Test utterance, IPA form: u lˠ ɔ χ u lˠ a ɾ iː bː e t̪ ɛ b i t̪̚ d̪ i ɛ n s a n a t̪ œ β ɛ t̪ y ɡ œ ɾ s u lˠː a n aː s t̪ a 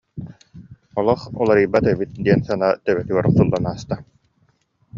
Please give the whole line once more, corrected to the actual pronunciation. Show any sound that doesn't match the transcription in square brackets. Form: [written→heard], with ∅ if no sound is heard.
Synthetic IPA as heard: [u→ɔ] lˠ ɔ χ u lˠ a ɾ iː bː [e→a] t̪ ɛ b i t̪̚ d̪ i ɛ n s a n a t̪ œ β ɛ t̪ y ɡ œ ɾ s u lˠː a n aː s t̪ a